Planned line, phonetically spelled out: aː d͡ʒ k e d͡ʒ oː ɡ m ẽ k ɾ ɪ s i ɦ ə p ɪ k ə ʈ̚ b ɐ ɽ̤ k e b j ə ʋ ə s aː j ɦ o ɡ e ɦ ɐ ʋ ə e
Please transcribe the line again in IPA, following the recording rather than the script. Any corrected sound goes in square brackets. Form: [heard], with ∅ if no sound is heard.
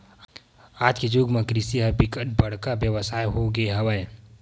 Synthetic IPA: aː d͡ʒ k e d͡ʒ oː ɡ m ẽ k ɾ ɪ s i ɦ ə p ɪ k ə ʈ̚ b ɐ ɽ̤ k [a] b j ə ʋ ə s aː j ɦ o ɡ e ɦ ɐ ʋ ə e